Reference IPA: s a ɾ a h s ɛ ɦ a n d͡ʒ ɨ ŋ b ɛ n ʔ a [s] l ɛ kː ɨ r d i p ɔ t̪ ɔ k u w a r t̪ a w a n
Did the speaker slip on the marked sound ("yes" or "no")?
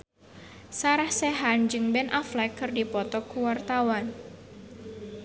yes